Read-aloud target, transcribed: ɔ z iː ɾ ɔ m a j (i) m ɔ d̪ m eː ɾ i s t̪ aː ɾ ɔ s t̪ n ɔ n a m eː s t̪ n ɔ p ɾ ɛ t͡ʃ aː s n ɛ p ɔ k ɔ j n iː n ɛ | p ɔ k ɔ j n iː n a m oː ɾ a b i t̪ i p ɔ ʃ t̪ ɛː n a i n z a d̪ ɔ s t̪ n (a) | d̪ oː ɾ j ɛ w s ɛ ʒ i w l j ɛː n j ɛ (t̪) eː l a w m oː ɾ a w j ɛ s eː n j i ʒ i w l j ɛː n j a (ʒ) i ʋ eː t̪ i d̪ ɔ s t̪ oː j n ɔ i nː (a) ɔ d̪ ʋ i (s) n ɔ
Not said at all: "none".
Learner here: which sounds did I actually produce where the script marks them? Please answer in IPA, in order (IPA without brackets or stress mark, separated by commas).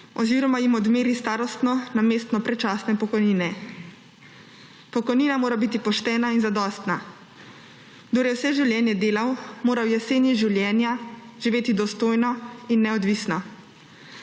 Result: i, a, d̪, ʒ, ɛ, s